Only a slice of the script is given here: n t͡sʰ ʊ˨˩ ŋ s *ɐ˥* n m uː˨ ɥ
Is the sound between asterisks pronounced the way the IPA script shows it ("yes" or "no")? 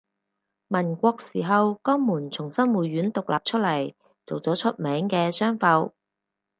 yes